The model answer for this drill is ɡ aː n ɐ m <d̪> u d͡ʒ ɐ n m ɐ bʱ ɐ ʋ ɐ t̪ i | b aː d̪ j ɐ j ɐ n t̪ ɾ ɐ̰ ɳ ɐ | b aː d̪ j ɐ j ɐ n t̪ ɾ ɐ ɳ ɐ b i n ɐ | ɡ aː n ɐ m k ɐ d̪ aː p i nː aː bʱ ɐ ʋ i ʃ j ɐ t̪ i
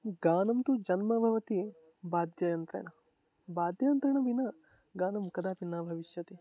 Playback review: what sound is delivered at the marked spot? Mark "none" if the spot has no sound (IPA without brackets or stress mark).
t̪